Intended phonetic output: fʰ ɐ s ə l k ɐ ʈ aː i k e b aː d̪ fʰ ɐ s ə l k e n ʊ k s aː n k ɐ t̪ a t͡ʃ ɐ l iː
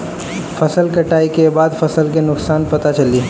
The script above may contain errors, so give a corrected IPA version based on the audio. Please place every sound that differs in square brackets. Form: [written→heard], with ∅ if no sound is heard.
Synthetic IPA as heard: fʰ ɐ s ə l k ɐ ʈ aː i k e b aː d̪ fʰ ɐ s ə l k e n ʊ k s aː n [k→p] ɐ t̪ a t͡ʃ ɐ l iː